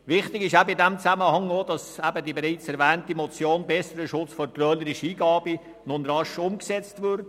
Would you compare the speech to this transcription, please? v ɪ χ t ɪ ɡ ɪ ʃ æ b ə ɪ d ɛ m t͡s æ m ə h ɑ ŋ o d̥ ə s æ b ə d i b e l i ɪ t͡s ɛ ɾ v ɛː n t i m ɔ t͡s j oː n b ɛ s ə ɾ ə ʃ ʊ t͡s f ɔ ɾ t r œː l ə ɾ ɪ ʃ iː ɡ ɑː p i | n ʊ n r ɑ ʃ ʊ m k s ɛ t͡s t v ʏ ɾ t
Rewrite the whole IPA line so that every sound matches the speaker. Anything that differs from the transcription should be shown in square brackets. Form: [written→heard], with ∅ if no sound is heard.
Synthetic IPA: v ɪ χ t ɪ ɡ ɪ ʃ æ b ə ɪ d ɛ m t͡s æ m ə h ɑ ŋ o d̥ [ə→ɑ] s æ b ə d i b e [l→ɾ] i ɪ t͡s ɛ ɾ v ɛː n t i m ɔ t͡s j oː n b ɛ s ə ɾ ə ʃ ʊ t͡s f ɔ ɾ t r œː l ə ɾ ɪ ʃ iː ɡ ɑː [p→b] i | n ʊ n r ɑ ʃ ʊ m k s ɛ t͡s t v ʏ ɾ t